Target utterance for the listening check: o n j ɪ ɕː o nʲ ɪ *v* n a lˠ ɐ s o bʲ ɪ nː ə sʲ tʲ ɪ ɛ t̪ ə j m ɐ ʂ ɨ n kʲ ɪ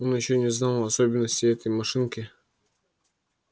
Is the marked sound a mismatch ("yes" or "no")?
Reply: yes